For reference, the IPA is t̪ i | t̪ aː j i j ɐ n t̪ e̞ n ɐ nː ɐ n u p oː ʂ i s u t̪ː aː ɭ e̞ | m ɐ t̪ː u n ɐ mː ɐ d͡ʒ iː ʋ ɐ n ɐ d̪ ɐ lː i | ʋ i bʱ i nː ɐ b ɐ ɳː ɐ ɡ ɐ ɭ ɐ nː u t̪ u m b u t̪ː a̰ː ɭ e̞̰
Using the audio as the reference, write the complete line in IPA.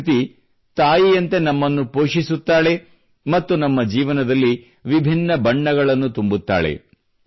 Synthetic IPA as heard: t̪ i | t̪ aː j i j ɐ n t̪ e̞ n ɐ mː ɐ nː u p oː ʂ i s u t̪ː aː ɭ e̞ | m ɐ t̪ː u n ɐ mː ɐ d͡ʒ iː ʋ ɐ n ɐ d̪ ɐ lː i | ʋ i bʱ i nː ɐ b ɐ ɳː ɐ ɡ ɐ ɭ ɐ nː u t̪ u m b u t̪ː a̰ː ɭ e̞̰

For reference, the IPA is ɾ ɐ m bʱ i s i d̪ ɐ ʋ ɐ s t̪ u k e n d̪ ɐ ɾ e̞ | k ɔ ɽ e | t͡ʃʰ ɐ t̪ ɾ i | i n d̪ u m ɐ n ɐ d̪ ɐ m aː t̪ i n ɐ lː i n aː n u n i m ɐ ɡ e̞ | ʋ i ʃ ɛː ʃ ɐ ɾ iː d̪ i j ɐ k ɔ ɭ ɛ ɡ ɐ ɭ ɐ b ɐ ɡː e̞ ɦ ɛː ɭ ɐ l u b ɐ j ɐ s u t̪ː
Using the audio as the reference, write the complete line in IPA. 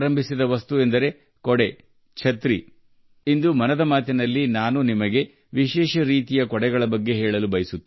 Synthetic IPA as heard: ɾ ɐ m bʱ i s i d̪ ɐ ʋ ɐ s t̪ u e n d̪ ɐ ɾ e̞ | k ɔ ɽ e | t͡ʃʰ ɐ t̪ ɾ i | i n d̪ u m ɐ n ɐ d̪ ɐ m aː t̪ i n ɐ lː i n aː n u n i m ɐ ɡ e̞ | ʋ i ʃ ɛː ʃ ɐ ɾ iː t̪ i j ɐ k ɔ ɽ ɛ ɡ ɐ ɭ ɐ b ɐ ɡː e̞ ɦ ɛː ɭ ɐ l u b ɐ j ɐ s u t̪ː

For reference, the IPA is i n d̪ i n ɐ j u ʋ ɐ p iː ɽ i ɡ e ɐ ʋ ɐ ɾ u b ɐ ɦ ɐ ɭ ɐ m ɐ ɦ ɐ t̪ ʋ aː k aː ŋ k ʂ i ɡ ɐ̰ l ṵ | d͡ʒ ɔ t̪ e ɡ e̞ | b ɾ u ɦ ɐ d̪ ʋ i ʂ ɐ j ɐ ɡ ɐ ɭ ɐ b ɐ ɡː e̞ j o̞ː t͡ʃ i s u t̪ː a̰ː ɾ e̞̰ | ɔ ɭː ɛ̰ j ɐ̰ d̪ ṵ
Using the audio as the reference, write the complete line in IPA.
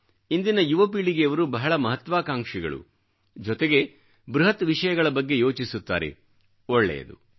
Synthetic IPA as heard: i n d̪ i n ɐ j u ʋ ɐ p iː ɭ i ɡ e ɐ ʋ ɐ ɾ u b ɐ ɦ ɐ ɭ ɐ m ɐ ɦ ɐ t̪ ʋ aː k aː ŋ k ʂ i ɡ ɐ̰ ɭ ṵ | d͡ʒ ɔ t̪ e ɡ e̞ | b ɾ u ɦ ɐ t̪ ʋ i ʂ ɐ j ɐ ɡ ɐ ɭ ɐ b ɐ ɡː e̞ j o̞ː t͡ʃ i s u t̪ː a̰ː ɾ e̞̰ | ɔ ɭː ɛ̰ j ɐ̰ d̪ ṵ

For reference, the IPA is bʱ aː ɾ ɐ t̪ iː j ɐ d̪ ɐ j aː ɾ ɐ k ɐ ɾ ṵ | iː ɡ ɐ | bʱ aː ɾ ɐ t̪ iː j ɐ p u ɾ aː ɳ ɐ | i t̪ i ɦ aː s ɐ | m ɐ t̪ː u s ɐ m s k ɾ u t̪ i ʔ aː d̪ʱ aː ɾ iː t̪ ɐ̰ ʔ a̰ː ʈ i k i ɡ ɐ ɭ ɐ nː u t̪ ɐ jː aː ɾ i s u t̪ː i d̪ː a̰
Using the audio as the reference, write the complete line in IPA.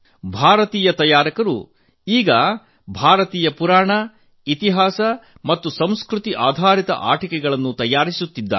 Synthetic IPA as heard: bʱ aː ɾ ɐ t̪ iː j ɐ t̪ ɐ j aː ɾ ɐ k ɐ ɾ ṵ | iː ɡ ɐ | bʱ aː ɾ ɐ t̪ iː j ɐ p u ɾ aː ɳ ɐ | i t̪ i ɦ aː s ɐ | m ɐ t̪ː u s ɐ m s k ɾ u t̪ i ʔ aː d̪ʱ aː ɾ i t̪ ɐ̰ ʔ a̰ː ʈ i k ɛ ɡ ɐ ɭ ɐ nː u t̪ ɐ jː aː ɾ i s u t̪ː i d̪ː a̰

